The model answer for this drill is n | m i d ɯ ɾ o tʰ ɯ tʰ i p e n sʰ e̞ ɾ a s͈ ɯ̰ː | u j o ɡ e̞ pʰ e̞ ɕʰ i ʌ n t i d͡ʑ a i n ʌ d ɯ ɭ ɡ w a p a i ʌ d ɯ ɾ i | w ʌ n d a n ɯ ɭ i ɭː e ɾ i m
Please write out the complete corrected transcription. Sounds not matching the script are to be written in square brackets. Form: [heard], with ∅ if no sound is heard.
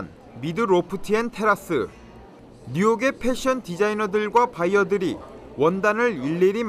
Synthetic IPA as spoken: n | m i d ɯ ɾ o [pʰ] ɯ tʰ i [∅] e n [tʰ] e̞ ɾ a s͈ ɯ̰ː | u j o ɡ e̞ pʰ e̞ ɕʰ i ʌ n t i d͡ʑ a i n ʌ d ɯ ɭ ɡ w a p a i ʌ d ɯ ɾ i | w ʌ n d a n ɯ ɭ i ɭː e ɾ i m